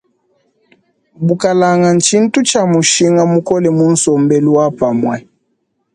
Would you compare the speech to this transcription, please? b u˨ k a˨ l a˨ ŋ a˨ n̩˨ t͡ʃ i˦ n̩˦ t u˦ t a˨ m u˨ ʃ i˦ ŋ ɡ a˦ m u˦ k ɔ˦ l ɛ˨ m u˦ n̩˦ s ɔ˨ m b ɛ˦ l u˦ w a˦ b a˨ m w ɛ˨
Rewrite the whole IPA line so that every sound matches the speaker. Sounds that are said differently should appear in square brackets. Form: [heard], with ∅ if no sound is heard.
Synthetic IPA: b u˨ k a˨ l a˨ ŋ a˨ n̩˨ t͡ʃ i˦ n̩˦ t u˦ [t͡ʃ] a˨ m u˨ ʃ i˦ ŋ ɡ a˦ m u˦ k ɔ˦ l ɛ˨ m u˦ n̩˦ s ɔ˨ m b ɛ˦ l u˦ w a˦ [p] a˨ m w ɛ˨